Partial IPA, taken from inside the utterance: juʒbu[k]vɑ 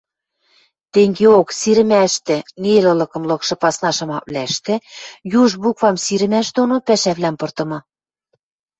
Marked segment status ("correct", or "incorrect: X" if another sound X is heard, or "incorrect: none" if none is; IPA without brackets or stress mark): correct